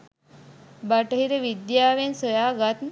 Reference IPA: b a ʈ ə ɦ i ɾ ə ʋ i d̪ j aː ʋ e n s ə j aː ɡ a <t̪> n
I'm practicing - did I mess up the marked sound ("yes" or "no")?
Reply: no